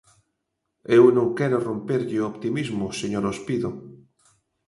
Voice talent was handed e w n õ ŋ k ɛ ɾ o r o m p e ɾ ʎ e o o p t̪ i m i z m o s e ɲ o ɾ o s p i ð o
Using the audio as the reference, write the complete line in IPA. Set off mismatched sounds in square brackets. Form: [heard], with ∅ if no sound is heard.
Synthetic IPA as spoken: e w n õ ŋ k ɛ ɾ o r o m p e ɾ ʎ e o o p t̪ i m i z m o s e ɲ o ɾ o s p i ð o